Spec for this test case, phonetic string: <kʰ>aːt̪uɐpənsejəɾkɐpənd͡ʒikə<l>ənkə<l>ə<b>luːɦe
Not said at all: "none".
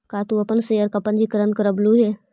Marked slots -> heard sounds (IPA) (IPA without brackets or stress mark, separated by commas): k, ɾ, ɾ, b